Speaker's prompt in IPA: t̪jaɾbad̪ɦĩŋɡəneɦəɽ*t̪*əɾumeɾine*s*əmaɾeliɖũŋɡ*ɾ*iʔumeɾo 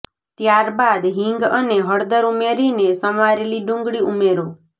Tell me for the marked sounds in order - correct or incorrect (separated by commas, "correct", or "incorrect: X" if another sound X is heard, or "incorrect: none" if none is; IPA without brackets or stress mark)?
incorrect: d̪, correct, incorrect: ɽ